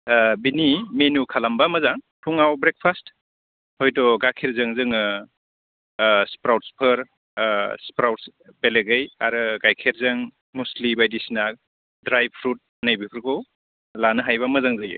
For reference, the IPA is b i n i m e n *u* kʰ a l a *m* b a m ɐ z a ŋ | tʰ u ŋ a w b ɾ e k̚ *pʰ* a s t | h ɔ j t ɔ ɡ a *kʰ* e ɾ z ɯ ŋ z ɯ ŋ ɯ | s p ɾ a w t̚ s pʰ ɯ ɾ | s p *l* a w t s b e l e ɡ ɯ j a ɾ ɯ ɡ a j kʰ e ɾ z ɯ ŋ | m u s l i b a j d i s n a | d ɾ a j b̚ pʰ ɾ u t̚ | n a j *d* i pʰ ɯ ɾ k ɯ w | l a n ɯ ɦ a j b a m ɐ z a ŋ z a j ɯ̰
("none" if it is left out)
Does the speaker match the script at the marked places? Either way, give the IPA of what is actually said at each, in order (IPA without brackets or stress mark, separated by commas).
u, m, pʰ, kʰ, ɾ, b